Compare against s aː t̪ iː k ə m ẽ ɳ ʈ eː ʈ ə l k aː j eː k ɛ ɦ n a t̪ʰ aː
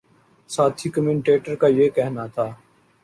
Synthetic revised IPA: s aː t̪ʰ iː k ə m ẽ ɳ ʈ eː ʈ ə ɾ k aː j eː k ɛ ɦ n a t̪ʰ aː